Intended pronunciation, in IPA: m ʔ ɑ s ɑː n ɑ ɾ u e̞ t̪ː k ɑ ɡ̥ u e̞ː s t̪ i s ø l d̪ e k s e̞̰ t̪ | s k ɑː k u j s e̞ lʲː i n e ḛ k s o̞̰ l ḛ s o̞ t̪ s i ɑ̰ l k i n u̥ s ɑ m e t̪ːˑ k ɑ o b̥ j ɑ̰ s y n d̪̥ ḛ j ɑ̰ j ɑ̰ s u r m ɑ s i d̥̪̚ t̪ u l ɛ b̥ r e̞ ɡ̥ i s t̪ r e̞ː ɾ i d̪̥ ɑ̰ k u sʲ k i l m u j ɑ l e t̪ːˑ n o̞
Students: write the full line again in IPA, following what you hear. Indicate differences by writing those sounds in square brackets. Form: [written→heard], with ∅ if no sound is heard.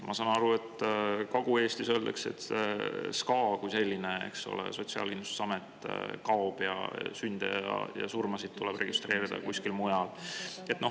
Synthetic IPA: m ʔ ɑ s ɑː n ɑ ɾ u e̞ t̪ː k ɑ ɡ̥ u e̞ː s t̪ i s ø l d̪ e k s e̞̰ t̪ | s k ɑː k u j s e̞ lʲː i n e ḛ k s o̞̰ l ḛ s o̞ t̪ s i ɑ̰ l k i n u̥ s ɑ m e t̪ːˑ k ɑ o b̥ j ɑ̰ s y n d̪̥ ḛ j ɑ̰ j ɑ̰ s u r m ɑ s i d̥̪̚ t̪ u l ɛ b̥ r e̞ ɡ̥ i s t̪ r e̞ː ɾ i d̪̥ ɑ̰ k u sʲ k i l m u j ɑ l e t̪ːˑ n o̞